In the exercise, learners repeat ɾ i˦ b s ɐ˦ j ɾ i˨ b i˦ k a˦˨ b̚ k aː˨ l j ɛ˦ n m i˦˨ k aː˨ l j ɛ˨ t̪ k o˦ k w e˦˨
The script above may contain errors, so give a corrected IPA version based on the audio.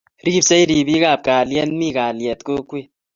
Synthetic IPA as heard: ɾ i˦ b s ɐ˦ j ɾ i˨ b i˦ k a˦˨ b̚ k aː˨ l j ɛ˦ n m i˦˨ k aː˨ l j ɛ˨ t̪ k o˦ k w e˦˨